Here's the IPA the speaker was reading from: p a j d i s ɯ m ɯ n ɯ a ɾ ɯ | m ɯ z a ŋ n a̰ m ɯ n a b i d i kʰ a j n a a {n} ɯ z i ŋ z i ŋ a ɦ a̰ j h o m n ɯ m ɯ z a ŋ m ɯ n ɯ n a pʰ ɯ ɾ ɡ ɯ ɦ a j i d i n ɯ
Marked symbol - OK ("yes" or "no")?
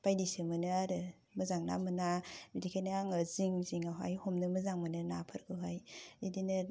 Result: no